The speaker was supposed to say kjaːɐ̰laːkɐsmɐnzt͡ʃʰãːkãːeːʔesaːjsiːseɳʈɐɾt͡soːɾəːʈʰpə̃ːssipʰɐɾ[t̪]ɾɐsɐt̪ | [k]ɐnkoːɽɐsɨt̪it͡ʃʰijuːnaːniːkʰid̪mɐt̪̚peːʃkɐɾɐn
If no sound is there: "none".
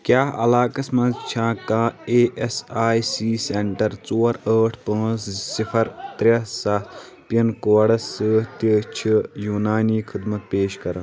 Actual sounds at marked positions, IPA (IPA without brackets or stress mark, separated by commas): t̪, p